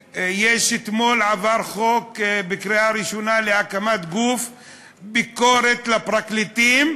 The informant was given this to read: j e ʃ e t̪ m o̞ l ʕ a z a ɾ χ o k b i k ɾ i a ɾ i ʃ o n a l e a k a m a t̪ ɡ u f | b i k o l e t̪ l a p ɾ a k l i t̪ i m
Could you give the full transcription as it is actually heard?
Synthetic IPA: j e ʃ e t̪ m o̞ l ʕ a v a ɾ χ o k b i k ɾ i a ɾ i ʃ o n a l e a k a m a t̪ ɡ u f | b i k o ɾ e t̪ l a p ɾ a k l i t̪ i m